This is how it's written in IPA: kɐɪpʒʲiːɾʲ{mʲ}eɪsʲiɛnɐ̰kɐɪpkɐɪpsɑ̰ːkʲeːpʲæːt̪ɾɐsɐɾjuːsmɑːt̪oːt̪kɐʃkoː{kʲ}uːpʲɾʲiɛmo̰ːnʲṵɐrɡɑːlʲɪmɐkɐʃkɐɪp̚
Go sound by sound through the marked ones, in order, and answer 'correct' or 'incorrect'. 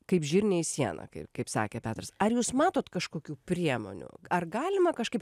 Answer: incorrect, correct

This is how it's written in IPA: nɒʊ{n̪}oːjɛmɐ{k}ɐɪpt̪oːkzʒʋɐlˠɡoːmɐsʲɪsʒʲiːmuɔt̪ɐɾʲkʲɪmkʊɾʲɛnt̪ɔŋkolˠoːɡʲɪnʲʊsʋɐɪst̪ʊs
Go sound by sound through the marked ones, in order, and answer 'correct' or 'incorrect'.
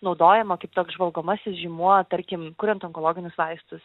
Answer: incorrect, correct

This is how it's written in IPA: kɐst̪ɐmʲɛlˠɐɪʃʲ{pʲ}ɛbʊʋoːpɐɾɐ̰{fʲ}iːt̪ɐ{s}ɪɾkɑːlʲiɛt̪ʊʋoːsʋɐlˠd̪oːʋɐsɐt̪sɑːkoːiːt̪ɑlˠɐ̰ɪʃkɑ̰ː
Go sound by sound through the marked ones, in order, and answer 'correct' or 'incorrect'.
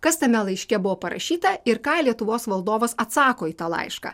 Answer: incorrect, incorrect, incorrect

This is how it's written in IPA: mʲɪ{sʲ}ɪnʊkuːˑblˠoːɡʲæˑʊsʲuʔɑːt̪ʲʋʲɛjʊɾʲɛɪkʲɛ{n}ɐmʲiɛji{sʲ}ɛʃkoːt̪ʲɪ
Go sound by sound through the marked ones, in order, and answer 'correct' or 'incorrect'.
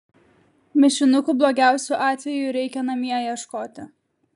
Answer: incorrect, correct, incorrect

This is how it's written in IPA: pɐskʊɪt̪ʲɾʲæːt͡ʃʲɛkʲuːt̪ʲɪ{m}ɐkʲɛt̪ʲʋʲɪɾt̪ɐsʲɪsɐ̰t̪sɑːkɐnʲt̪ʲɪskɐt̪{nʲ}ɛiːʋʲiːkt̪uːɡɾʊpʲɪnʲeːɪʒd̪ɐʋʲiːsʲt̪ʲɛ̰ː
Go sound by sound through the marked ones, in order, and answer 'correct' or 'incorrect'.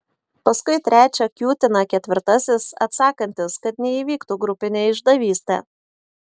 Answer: incorrect, correct

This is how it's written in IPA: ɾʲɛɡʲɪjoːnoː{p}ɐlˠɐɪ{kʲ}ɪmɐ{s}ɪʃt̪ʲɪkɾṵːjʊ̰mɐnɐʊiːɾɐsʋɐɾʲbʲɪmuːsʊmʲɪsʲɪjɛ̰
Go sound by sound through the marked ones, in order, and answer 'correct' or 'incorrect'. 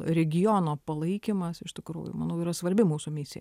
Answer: correct, correct, correct

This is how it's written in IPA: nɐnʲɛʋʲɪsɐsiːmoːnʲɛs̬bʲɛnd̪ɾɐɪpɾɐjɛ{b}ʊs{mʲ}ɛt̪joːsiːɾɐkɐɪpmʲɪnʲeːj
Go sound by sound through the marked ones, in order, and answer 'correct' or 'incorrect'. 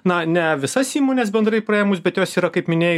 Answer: incorrect, incorrect

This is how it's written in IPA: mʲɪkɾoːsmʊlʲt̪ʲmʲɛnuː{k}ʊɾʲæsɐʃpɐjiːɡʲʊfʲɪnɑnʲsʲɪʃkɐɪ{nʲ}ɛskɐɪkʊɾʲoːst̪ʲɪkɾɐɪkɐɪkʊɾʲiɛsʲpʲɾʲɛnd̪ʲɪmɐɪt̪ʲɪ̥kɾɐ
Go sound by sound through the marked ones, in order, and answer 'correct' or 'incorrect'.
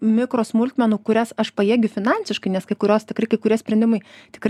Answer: correct, correct

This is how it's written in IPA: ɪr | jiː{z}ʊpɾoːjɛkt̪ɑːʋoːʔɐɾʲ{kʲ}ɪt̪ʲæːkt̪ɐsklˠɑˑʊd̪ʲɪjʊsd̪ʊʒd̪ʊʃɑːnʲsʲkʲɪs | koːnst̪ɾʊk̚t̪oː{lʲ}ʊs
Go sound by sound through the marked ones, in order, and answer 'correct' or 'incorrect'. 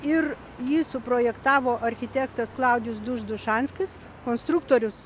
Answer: incorrect, incorrect, incorrect

